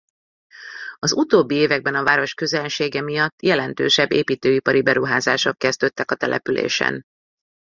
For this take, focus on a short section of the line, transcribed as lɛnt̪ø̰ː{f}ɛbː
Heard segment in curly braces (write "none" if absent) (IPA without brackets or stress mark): ʃ